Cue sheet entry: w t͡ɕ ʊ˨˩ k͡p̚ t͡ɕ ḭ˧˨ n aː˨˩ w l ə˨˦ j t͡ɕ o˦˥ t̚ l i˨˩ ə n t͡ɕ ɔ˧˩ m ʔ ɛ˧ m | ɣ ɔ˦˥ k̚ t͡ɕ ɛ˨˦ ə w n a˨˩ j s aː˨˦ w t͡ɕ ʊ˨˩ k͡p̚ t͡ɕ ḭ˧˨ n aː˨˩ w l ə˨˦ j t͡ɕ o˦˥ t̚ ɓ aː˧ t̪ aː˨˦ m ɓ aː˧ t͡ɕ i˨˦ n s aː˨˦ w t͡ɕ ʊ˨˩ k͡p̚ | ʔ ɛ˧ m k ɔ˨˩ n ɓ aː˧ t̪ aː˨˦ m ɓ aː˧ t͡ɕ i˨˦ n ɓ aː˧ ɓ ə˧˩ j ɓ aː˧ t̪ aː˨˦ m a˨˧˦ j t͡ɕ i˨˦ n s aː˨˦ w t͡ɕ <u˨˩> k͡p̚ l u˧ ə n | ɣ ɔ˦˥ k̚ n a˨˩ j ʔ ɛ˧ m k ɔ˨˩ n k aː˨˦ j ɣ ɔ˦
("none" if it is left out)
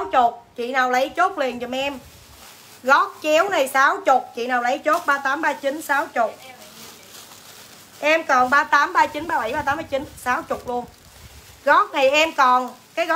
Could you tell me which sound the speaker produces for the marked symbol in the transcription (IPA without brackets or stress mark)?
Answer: ʊ˨˩